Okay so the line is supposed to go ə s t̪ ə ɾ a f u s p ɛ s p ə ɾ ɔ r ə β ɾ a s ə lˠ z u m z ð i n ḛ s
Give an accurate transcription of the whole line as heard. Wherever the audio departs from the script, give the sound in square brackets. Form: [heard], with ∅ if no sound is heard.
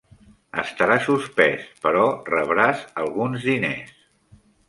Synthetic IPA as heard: ə s t̪ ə ɾ a [s] u s p ɛ s p ə ɾ ɔ r ə β ɾ a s ə lˠ [ɣ] u [n] z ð i n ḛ s